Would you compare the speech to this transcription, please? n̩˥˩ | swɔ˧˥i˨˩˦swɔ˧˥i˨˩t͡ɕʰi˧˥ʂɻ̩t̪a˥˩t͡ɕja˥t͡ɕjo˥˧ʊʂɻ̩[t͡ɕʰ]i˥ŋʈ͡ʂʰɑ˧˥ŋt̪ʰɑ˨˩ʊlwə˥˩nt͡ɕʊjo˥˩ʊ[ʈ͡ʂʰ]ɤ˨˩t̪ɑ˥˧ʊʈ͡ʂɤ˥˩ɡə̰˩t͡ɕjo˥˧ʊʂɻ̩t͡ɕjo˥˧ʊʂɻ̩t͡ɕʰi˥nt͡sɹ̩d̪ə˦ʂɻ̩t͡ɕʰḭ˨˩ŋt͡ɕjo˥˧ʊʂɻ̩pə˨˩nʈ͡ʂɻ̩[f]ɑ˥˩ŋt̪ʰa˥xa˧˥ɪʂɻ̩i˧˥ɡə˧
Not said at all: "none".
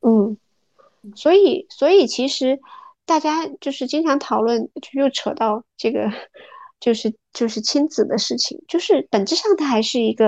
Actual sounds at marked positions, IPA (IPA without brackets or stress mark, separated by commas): t͡ɕ, ʈ͡ʂʰ, ʂ